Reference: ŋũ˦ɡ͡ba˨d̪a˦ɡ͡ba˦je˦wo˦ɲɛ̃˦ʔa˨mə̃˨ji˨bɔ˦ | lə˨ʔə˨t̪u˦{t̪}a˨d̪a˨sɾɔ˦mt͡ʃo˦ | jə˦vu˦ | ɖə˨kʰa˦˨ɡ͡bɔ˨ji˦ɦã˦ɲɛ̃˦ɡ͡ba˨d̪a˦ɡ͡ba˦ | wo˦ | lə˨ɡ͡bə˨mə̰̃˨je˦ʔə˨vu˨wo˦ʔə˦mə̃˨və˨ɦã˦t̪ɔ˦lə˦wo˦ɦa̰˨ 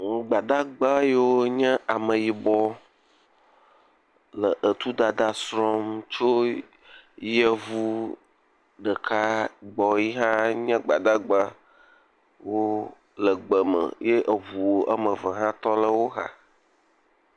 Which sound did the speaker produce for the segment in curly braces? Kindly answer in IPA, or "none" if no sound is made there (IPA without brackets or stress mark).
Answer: d̪